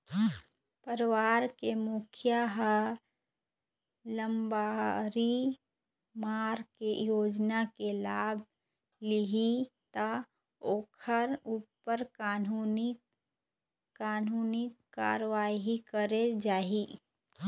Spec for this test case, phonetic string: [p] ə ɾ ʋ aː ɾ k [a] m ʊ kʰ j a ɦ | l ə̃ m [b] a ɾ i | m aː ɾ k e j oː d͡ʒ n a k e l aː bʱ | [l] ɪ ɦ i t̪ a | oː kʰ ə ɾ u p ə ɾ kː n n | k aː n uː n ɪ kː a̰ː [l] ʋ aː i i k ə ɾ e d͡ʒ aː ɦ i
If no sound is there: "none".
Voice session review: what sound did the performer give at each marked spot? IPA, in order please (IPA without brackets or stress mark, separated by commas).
p, e, b, l, ɾ